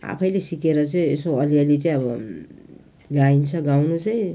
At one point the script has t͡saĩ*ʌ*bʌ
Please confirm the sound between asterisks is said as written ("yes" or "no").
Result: yes